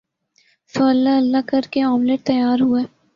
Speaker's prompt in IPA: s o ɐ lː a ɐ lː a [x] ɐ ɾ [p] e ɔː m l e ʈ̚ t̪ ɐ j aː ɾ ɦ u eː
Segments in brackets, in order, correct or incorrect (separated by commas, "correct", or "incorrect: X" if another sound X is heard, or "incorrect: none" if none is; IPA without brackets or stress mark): incorrect: k, incorrect: k